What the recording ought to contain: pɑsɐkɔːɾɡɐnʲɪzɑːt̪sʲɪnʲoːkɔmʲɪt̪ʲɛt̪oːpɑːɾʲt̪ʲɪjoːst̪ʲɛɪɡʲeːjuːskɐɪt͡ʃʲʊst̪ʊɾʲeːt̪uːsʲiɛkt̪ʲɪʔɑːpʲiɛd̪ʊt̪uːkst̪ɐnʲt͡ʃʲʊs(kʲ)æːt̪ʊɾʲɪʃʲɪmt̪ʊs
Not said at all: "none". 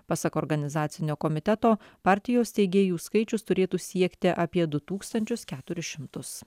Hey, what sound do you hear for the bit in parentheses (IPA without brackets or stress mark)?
kʲ